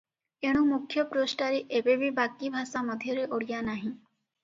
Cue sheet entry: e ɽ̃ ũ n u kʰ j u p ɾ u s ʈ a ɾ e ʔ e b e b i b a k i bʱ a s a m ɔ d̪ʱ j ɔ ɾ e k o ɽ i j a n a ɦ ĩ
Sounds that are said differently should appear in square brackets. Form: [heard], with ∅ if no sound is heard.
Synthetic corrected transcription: e ɽ̃ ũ [m] u kʰ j [ɔ] p ɾ [o] s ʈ a ɾ e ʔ e b e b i b a k i bʱ a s a m ɔ d̪ʱ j ɔ ɾ e [ʔ] o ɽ i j a n a ɦ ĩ